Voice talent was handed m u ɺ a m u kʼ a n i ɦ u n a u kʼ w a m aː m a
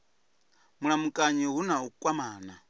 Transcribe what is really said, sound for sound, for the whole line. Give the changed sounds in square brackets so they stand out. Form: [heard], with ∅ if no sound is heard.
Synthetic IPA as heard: m u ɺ a m u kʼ a [ɲ] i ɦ u n a u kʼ w a m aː [n] a